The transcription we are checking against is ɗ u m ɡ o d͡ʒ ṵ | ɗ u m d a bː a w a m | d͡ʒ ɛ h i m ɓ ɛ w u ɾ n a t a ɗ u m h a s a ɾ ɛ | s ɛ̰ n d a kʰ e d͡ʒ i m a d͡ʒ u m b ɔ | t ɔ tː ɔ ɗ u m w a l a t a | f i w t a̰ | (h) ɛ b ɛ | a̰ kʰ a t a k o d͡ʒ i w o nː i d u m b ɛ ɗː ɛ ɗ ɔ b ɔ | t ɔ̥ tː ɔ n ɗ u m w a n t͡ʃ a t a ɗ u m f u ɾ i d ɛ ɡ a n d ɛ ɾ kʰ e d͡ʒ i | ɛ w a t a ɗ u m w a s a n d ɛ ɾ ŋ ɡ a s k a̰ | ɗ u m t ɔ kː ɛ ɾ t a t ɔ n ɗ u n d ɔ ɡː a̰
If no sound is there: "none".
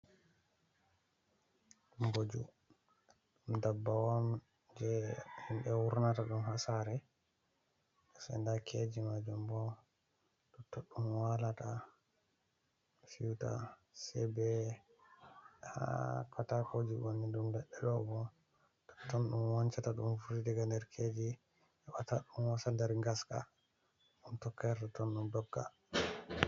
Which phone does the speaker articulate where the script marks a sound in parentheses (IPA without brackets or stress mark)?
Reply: s